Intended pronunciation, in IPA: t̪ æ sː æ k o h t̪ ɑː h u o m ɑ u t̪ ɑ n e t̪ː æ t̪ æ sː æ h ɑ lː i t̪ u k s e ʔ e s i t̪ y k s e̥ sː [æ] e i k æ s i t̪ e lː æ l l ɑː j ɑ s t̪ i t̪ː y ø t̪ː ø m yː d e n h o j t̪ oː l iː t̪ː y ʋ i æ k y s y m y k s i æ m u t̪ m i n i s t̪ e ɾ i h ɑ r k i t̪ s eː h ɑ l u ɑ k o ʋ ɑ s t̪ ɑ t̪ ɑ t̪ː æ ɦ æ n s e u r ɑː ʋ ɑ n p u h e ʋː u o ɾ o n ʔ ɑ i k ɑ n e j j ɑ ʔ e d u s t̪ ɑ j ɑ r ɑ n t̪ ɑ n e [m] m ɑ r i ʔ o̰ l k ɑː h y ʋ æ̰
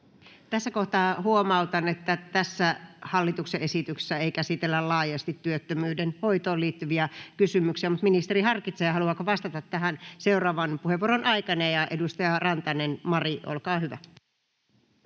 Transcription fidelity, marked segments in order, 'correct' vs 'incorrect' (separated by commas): correct, incorrect